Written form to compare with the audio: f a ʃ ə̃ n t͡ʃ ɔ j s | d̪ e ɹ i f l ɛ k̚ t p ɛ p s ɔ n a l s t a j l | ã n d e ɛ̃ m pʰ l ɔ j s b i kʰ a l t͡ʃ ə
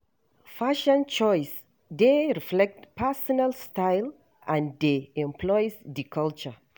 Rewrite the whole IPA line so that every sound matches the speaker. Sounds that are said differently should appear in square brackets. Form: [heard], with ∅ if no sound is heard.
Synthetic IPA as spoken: f a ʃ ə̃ n t͡ʃ ɔ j s | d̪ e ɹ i f l ɛ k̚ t p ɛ [∅] s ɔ n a l s t a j l | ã n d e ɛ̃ m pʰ l ɔ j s [d] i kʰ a l t͡ʃ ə